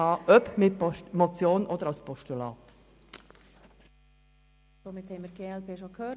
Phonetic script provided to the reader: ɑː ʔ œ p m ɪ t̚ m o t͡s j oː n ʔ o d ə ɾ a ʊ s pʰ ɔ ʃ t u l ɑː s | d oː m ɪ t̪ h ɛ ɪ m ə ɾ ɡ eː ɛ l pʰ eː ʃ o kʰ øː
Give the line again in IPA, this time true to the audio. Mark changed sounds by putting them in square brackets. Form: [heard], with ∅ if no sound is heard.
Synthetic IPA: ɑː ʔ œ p m ɪ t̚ m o t͡s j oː n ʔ o d ə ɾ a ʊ s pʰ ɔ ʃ t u l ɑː [t] | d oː m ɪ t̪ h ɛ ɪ m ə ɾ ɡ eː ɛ l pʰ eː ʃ o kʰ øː